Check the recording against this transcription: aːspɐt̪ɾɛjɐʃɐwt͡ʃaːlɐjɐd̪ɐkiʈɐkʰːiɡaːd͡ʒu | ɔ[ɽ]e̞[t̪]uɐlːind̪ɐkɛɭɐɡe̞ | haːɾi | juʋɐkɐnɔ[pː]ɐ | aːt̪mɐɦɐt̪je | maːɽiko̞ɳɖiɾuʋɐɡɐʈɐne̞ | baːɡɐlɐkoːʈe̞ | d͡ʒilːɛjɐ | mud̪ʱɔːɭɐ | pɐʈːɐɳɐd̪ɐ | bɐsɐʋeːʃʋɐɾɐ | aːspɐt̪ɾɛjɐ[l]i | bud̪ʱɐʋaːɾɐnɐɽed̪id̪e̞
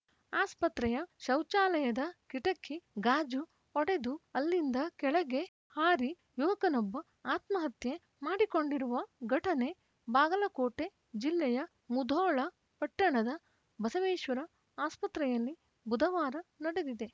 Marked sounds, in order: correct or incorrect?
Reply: correct, incorrect: d̪, incorrect: bː, incorrect: lː

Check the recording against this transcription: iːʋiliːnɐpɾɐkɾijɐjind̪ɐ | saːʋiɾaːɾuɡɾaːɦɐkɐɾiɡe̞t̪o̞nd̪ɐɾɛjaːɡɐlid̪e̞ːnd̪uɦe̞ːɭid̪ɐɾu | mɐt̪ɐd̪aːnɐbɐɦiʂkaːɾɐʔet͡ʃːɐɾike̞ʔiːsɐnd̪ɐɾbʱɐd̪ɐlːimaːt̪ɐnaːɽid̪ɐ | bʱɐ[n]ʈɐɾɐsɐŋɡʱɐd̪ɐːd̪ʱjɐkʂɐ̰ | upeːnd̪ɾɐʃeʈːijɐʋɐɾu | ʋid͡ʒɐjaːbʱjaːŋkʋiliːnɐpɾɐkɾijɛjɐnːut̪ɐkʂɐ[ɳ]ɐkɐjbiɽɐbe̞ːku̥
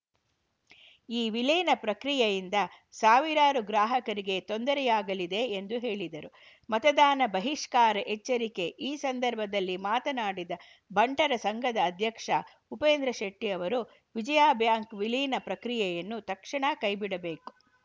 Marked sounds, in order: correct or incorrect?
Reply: incorrect: ɳ, correct

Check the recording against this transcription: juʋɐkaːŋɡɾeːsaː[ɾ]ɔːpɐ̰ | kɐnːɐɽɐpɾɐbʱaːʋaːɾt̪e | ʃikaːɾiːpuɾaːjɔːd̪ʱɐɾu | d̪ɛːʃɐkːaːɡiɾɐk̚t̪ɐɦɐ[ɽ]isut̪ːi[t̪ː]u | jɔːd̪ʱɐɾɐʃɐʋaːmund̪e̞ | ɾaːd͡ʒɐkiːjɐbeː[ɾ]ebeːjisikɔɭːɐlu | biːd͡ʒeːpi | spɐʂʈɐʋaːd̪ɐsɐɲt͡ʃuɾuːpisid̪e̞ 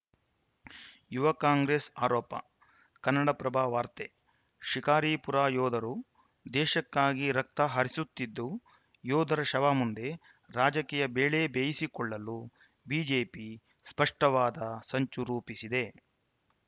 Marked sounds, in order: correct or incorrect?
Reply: correct, incorrect: ɾ, incorrect: d̪ː, incorrect: ɭ

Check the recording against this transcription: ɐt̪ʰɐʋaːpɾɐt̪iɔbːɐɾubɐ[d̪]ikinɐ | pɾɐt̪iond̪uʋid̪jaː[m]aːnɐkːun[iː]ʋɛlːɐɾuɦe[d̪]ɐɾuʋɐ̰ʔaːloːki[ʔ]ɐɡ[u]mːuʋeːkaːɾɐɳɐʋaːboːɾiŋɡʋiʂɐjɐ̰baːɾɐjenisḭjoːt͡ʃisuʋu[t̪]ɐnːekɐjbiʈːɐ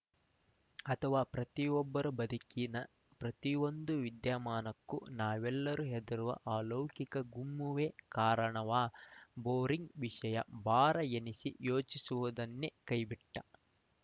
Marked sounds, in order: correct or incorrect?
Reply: correct, correct, incorrect: aː, correct, incorrect: k, correct, incorrect: d̪

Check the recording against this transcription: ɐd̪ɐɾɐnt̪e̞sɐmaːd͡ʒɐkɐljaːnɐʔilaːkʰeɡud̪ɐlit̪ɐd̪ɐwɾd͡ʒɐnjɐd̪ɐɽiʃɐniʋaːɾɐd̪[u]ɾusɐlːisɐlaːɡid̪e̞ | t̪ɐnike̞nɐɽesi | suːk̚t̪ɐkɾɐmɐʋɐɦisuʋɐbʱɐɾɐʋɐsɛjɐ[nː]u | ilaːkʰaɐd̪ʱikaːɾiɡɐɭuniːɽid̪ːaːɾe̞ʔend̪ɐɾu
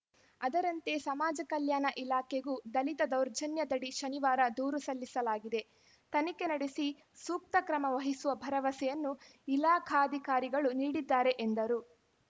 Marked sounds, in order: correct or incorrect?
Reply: incorrect: uː, correct

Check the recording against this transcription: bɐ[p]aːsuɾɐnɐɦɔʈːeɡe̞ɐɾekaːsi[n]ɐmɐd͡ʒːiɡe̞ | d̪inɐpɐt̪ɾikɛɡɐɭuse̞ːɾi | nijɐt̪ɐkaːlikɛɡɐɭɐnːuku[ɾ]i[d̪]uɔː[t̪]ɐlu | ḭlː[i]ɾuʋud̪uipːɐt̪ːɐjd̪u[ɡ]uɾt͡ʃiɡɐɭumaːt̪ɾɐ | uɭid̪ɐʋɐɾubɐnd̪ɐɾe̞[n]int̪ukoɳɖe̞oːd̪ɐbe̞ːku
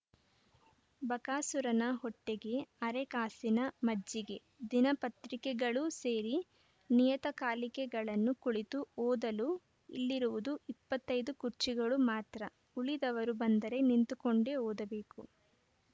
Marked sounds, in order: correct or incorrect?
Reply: incorrect: k, correct, incorrect: ɭ, incorrect: t̪, incorrect: d̪, correct, incorrect: k, correct

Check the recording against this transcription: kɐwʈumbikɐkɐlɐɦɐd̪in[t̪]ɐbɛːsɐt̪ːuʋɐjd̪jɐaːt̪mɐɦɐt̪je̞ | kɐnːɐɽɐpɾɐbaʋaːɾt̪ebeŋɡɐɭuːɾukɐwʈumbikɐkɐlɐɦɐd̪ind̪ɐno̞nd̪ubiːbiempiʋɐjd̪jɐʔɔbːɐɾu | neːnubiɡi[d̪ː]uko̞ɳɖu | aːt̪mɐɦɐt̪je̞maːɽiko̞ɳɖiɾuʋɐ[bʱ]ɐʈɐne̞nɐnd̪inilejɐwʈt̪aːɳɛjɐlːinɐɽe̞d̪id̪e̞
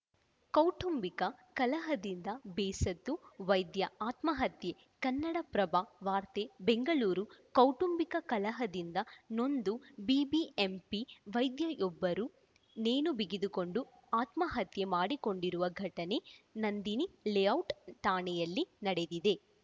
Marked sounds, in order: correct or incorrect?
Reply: incorrect: d̪, incorrect: d̪, incorrect: ɡʱ

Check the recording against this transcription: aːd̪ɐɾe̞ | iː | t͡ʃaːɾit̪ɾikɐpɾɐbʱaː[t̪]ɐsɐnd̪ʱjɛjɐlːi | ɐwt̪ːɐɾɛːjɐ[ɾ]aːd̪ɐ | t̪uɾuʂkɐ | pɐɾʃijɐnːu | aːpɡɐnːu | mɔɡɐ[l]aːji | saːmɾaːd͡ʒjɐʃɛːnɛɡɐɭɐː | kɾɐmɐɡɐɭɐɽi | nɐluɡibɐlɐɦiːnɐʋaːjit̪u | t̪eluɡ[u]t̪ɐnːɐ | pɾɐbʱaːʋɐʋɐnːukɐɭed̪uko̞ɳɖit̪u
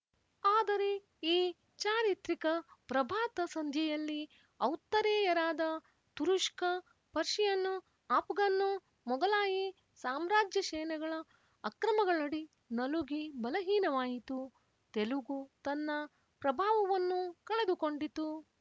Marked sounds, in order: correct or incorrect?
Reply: correct, correct, correct, correct

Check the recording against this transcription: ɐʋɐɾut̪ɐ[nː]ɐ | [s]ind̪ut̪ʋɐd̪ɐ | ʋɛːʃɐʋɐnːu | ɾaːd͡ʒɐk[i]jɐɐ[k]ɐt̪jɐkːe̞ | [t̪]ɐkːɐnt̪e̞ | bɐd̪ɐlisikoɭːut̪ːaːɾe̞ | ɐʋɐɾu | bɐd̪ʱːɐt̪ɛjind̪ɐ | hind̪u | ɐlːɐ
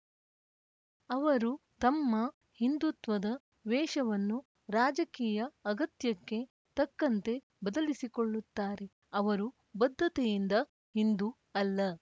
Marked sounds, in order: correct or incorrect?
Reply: incorrect: mː, incorrect: h, incorrect: iː, incorrect: ɡ, correct

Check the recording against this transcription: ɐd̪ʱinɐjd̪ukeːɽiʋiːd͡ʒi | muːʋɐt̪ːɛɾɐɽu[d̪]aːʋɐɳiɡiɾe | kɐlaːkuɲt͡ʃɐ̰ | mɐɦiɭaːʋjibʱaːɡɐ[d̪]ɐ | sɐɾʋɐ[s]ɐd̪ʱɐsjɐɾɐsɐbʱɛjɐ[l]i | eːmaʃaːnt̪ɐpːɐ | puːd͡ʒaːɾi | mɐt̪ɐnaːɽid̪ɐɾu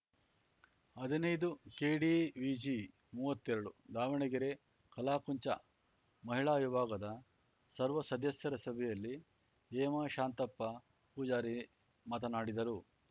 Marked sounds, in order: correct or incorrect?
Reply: correct, correct, correct, incorrect: lː

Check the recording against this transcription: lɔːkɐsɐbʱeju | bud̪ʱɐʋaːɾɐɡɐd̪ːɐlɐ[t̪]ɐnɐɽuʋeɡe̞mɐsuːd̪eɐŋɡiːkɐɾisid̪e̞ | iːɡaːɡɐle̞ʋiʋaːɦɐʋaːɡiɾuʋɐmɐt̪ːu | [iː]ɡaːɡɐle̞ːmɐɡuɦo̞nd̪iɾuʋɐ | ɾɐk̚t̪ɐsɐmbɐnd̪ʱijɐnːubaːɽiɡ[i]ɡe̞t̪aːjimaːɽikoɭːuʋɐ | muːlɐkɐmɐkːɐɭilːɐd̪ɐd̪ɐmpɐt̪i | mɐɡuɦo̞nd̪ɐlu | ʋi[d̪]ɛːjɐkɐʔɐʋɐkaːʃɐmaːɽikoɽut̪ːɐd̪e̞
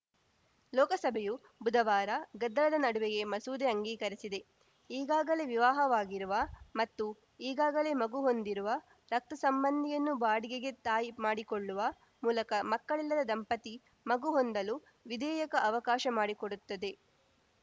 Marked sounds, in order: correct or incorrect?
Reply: incorrect: d̪, correct, incorrect: e, correct

